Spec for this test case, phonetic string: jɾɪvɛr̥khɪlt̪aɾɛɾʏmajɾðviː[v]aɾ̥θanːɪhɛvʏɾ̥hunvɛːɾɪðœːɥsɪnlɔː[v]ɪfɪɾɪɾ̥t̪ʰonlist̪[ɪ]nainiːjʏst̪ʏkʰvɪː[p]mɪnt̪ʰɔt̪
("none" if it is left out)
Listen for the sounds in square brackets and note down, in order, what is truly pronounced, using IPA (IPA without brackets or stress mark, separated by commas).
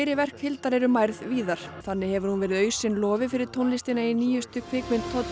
ð, v, ɪ, k